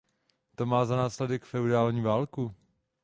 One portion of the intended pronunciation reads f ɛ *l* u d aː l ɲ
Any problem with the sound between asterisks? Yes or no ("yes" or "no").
yes